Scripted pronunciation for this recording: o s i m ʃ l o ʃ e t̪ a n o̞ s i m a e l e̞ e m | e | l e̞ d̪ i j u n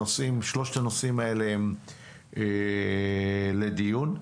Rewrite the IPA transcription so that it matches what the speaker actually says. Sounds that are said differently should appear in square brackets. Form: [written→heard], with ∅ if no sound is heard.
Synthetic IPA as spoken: o s i m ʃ l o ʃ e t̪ a n o̞ s i m a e l e̞ e m | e | l e̞ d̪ i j u n